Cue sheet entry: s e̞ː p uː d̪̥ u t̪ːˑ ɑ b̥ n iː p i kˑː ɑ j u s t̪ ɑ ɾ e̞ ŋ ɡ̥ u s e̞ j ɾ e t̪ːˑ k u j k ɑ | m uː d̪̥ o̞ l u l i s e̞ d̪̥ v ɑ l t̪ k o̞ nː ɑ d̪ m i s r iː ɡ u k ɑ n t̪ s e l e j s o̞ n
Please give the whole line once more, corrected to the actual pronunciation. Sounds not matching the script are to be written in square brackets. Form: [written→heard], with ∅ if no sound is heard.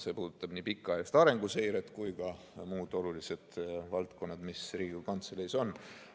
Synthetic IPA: s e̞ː p uː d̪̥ u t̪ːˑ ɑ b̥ n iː p i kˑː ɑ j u s t̪ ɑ ɾ e̞ ŋ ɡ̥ u s e̞ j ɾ e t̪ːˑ k u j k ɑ | m uː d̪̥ o̞ l u l i s e̞ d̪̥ v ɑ l t̪ k o̞ nː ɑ d̪ m i s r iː ɡ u k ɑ n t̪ s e l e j s o̞ n